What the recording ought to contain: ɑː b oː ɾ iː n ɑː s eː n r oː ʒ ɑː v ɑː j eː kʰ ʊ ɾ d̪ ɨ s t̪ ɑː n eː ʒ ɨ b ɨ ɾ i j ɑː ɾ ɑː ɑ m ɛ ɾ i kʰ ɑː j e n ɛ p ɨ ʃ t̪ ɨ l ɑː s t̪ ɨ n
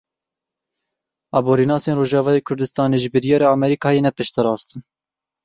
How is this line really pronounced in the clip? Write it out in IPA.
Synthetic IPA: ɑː b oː ɾ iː n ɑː s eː n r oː ʒ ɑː v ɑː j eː kʰ ʊ ɾ d̪ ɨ s t̪ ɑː n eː ʒ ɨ b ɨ ɾ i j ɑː ɾ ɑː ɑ m ɛ ɾ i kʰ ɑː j e n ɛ p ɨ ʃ t̪ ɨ ɾ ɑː s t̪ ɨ n